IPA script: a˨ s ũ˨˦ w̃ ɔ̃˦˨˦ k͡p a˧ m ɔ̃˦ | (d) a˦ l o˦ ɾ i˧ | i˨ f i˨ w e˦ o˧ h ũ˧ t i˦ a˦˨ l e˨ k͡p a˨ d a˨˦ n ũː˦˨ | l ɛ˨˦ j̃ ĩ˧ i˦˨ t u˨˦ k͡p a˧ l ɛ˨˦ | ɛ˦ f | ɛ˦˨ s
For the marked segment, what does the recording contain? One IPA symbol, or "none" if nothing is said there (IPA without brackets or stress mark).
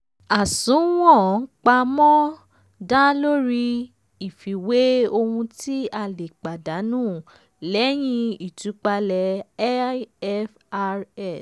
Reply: d